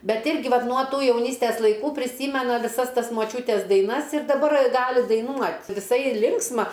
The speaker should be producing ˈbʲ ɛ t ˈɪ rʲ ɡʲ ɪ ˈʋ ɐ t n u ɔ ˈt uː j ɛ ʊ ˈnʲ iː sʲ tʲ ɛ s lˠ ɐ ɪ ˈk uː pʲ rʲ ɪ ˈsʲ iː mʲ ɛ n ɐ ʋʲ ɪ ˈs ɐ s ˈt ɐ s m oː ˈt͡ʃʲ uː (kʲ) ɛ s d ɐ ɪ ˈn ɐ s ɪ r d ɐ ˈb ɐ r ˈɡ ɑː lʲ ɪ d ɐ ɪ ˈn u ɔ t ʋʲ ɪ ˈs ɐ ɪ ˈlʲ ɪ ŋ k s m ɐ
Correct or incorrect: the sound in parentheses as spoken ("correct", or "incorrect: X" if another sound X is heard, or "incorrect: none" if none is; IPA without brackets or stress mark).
incorrect: tʲ